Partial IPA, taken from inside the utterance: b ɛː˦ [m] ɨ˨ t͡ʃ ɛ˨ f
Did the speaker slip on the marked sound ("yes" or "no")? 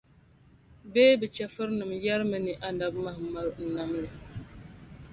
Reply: yes